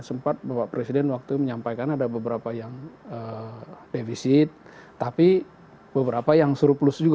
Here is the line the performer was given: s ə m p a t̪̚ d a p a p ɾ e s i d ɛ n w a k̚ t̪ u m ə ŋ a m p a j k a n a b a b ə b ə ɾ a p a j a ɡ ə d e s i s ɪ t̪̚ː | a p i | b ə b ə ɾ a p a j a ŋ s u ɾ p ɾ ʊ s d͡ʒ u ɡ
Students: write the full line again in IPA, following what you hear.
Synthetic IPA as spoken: s ə m p a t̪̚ b a p a p ɾ e s i d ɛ n w a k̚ t̪ u m ə ɲ a m p a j k a n a d a b ə b ə ɾ a p a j a ŋ ə d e f i s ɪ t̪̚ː | a p i | b ə b ə ɾ a p a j a ŋ s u ɾ p l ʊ s d͡ʒ u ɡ